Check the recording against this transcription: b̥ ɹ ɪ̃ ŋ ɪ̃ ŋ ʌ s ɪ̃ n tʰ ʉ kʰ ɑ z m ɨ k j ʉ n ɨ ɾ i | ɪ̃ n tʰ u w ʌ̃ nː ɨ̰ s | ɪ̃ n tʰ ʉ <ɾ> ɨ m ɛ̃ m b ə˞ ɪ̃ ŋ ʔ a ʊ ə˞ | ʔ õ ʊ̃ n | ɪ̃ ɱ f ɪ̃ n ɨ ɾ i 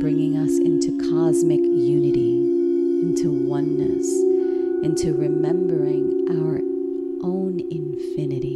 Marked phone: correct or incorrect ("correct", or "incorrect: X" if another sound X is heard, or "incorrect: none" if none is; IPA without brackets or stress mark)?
incorrect: ɹ